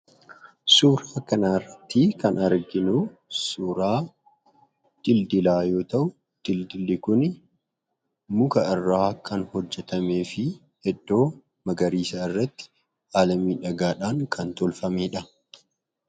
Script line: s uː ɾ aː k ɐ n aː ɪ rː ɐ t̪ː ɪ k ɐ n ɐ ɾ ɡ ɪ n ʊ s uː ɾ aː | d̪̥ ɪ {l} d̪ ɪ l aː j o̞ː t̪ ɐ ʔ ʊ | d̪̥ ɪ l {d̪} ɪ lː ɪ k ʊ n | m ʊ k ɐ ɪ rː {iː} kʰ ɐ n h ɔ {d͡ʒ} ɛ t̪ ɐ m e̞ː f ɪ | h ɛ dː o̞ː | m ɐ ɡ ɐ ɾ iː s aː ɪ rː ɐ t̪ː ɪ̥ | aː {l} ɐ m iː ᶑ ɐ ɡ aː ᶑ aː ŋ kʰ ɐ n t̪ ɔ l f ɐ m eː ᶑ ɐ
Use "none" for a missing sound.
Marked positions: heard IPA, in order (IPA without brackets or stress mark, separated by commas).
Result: l, d̪, aː, d͡ʒː, l